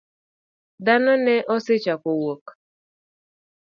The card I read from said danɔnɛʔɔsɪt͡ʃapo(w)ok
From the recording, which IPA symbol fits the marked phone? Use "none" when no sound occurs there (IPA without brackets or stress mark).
w